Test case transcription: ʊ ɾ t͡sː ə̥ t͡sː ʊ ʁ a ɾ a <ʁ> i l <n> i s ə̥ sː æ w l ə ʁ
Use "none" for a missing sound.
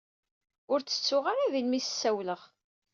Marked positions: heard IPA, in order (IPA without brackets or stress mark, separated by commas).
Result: ð, m